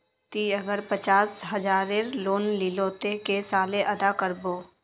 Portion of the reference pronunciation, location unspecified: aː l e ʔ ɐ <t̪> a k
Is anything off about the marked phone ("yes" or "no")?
yes